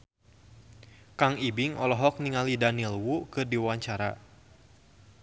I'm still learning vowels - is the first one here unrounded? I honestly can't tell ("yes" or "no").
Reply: yes